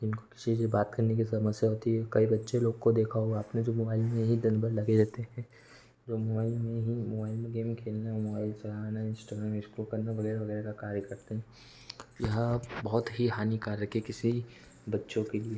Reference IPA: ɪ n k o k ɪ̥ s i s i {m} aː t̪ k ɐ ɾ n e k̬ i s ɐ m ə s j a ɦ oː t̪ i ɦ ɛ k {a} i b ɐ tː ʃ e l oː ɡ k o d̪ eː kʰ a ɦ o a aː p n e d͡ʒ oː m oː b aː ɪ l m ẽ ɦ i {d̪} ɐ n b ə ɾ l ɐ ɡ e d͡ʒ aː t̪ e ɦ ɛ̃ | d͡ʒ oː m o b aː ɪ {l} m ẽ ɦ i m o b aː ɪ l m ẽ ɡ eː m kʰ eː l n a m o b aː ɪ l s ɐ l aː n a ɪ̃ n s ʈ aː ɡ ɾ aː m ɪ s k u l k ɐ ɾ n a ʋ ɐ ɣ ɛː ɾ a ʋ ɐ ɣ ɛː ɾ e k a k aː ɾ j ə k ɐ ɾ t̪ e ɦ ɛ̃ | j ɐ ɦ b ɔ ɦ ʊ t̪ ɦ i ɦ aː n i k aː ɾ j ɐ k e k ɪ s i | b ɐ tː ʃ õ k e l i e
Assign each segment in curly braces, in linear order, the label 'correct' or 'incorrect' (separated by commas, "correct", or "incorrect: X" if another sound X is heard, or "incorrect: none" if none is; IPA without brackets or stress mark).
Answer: incorrect: b, incorrect: ɐ, correct, correct